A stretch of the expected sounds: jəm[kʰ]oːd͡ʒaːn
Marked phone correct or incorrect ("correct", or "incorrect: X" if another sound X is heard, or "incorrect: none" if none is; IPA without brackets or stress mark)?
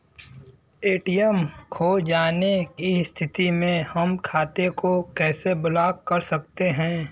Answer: correct